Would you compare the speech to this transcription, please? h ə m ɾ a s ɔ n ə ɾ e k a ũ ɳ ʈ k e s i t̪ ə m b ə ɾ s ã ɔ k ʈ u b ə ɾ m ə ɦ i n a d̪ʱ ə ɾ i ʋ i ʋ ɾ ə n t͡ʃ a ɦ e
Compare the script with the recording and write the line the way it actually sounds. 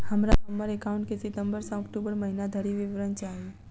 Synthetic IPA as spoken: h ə m ɾ a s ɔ m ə ɾ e k a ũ ɳ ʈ k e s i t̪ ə m b ə ɾ s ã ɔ k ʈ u b ə ɾ m ə ɦ i n a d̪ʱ ə ɾ i ʋ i ʋ ɾ ə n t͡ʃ a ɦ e